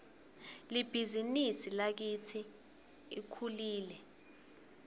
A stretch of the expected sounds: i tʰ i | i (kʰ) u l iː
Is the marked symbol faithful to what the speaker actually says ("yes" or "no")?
yes